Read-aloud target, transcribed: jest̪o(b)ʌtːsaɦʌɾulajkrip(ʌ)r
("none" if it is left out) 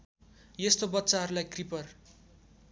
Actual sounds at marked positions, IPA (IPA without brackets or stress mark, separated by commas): b, ʌ